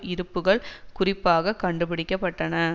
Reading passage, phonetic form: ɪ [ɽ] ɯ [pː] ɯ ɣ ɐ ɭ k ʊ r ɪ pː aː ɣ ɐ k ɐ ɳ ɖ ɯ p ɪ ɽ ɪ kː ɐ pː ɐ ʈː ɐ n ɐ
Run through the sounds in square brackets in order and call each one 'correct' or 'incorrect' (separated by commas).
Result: incorrect, correct